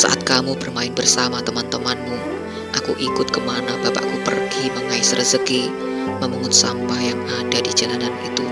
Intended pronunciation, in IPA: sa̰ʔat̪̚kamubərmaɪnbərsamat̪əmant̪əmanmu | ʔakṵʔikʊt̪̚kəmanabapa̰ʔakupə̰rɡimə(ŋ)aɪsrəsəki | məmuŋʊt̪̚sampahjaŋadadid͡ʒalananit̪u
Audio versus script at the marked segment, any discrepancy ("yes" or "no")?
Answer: no